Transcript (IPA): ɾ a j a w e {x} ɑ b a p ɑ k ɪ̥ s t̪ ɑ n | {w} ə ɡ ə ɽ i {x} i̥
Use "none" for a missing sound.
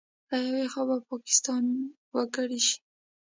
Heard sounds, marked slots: x, w, ʃ

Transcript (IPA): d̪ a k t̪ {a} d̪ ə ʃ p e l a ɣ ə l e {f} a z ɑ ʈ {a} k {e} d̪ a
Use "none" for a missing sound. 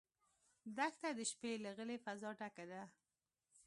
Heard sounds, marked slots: a, f, a, a

